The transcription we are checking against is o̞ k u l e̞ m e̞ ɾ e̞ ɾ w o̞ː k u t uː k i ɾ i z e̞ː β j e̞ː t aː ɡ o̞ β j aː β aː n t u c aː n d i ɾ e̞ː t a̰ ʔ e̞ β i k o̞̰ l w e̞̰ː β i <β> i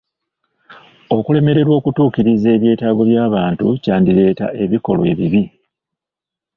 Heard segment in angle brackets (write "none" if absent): β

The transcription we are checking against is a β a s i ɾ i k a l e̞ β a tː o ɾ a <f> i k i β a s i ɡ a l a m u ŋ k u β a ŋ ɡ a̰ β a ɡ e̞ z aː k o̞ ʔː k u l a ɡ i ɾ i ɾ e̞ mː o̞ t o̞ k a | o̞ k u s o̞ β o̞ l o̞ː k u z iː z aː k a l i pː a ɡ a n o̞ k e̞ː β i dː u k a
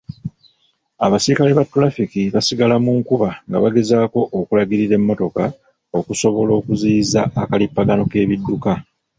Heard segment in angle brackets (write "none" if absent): f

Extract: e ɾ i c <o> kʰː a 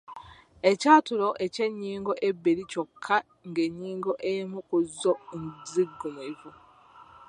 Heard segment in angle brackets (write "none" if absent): o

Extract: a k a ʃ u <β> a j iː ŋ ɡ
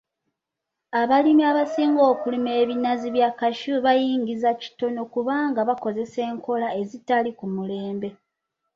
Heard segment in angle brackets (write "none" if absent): β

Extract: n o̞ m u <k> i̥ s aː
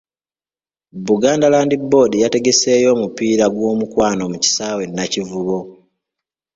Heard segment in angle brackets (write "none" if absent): c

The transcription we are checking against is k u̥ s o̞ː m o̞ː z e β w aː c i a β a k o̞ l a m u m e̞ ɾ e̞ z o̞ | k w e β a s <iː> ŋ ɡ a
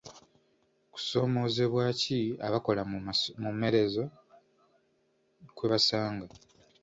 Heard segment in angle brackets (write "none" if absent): aː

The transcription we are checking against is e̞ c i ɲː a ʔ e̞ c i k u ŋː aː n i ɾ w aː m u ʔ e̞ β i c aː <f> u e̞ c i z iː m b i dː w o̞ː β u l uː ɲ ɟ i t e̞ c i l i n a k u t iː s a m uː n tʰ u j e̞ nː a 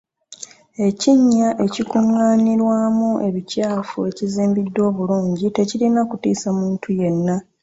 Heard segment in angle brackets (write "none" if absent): f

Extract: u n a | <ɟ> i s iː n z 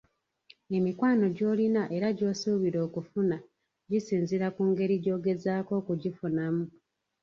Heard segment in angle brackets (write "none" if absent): ɟ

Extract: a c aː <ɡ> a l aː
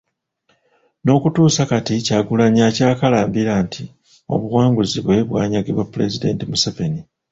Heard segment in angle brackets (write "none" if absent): k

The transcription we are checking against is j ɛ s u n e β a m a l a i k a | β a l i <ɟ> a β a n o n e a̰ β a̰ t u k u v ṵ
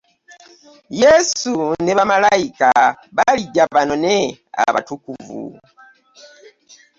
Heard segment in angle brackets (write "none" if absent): ɟ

